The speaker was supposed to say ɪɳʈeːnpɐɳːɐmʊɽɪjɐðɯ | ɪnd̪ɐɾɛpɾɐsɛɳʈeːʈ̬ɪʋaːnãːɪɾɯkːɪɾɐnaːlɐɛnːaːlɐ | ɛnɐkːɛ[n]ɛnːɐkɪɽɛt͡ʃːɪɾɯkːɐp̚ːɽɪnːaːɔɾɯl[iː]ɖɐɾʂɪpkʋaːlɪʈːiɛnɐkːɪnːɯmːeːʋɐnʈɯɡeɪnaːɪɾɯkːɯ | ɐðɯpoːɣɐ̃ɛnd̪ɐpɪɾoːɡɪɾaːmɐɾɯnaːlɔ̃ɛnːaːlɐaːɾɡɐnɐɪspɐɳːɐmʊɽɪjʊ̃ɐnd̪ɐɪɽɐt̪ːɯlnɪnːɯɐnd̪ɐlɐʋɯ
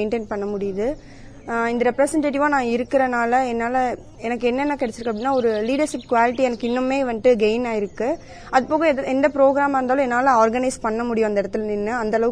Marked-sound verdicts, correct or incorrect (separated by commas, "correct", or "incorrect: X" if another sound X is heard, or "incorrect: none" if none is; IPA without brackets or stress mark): incorrect: nː, correct